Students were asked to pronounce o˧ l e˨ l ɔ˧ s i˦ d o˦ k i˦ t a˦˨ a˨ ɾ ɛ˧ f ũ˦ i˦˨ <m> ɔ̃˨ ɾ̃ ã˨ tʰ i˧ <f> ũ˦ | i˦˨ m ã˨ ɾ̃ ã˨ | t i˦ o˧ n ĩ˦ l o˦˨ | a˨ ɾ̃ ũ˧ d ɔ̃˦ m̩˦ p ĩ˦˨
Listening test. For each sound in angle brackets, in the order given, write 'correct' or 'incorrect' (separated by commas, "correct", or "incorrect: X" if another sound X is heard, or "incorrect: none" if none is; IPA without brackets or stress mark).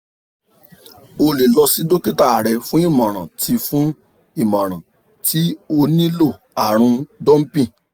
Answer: correct, correct